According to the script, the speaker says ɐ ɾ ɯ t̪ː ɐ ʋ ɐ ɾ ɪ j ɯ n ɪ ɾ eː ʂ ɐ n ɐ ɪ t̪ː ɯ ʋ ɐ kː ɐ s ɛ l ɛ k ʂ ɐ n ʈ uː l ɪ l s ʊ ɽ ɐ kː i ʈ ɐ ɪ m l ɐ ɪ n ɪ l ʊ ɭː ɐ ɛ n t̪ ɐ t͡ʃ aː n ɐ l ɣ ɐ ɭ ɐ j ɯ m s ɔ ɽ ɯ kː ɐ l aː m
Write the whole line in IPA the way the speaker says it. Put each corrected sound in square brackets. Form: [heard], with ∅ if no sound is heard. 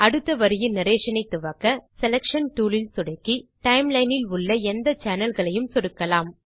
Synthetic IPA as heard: ɐ [ɽ] ɯ t̪ː ɐ ʋ ɐ ɾ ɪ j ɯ n ɪ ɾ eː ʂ ɐ n ɐ ɪ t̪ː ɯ ʋ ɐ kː ɐ s ɛ l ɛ k ʂ ɐ n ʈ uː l ɪ l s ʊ ɽ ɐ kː i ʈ ɐ ɪ m l ɐ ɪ n ɪ l ʊ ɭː ɐ ɛ n [d̪] ɐ t͡ʃ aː n ɐ l ɣ ɐ ɭ ɐ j ɯ m s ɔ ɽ ɯ kː ɐ l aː m